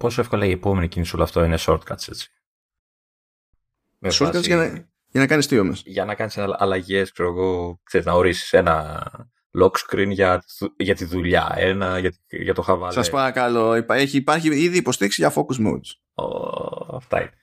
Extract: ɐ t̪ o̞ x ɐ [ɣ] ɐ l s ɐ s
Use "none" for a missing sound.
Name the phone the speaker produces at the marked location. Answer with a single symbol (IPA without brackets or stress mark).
v